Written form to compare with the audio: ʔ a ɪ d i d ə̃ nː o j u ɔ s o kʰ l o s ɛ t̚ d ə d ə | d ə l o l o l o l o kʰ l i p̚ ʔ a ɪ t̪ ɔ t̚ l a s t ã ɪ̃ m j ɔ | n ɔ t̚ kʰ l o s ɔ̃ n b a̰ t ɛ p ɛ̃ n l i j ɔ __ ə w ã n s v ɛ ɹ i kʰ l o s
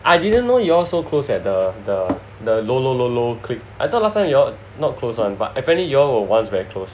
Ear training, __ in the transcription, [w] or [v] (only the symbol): w